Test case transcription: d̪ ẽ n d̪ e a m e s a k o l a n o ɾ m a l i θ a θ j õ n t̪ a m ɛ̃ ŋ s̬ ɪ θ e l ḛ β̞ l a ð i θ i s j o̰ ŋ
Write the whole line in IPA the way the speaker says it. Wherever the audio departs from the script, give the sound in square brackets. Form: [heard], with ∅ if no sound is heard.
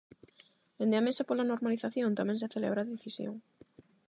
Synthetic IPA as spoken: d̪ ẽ n d̪ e a m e s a [p] o l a n o ɾ m a l i θ a θ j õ n t̪ a m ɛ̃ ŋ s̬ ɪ θ e l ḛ β̞ [ɾ] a ð [e] θ i s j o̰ ŋ